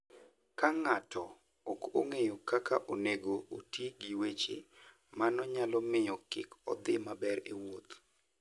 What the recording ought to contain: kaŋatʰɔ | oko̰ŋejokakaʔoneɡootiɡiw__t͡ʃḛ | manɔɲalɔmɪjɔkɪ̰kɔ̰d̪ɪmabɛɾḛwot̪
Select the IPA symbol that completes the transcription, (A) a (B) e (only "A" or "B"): B